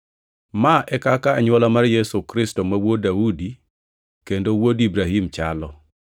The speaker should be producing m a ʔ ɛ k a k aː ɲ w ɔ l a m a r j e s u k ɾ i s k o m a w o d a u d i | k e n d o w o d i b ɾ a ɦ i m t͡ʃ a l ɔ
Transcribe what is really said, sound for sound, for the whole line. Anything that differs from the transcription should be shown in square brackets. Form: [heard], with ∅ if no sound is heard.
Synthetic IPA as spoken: m a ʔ ɛ k a k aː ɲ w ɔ l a m a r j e s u k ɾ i s [t] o m a w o d a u d i | k e n d o w o d i b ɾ a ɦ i m t͡ʃ a l ɔ